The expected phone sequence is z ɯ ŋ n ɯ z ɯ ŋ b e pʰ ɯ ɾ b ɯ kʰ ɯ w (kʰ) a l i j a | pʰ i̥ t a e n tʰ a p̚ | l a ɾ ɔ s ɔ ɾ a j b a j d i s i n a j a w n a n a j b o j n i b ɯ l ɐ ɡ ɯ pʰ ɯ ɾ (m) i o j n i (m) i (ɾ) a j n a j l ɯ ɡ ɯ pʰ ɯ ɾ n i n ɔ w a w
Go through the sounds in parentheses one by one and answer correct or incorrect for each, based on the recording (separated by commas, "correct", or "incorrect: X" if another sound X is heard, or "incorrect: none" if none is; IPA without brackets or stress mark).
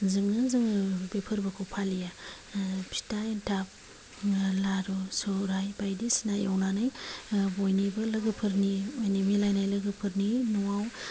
incorrect: pʰ, incorrect: n, correct, incorrect: l